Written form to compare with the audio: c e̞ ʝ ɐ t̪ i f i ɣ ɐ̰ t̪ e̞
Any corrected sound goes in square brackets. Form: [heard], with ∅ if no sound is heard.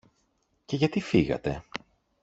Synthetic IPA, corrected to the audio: c e̞ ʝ ɐ t̪ i f i ɣ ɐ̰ t̪ e̞